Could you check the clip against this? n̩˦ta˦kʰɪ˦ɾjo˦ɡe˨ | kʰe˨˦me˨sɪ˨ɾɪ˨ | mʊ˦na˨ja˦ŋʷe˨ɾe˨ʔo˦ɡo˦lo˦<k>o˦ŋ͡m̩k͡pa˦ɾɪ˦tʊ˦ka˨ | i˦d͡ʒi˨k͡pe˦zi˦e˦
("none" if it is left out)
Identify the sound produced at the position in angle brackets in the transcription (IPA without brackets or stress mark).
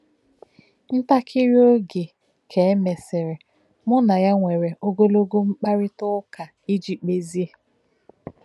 ɡ